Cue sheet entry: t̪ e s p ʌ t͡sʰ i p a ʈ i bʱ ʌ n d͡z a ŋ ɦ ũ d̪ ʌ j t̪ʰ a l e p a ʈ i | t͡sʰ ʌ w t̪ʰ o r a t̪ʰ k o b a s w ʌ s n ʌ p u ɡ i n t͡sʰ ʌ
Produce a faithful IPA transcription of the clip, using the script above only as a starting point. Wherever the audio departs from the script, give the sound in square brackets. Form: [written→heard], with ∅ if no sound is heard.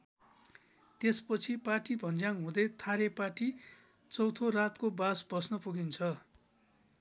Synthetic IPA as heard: t̪ e s p ʌ t͡sʰ i p a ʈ i bʱ ʌ n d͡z a ŋ ɦ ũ d̪ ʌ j t̪ʰ a [l→ɾ] e p a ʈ i | [t͡sʰ→t͡s] ʌ w t̪ʰ o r a [t̪ʰ→t̪] k o b a s [w→b] ʌ s n ʌ p u ɡ i n t͡sʰ ʌ